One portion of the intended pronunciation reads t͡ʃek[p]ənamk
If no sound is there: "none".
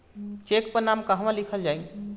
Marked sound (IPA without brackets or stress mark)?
p